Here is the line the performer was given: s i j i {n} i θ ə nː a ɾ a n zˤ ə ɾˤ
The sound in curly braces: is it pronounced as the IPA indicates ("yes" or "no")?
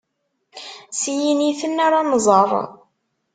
yes